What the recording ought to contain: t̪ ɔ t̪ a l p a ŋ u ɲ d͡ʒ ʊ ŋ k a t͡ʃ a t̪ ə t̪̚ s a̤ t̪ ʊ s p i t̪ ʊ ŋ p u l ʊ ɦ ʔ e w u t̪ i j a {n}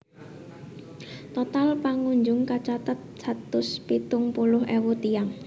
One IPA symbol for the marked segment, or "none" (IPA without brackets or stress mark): ŋ